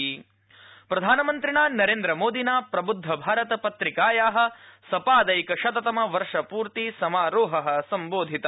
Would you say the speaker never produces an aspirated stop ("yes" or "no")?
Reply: yes